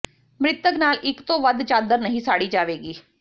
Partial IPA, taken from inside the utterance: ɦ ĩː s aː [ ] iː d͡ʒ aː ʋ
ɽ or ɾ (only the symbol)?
ɽ